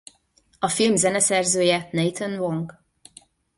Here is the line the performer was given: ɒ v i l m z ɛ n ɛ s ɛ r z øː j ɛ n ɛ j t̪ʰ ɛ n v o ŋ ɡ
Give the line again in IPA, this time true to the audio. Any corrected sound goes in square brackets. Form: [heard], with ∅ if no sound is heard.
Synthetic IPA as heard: ɒ [f] i l m z ɛ n ɛ s ɛ r z øː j ɛ n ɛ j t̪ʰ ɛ n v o ŋ ɡ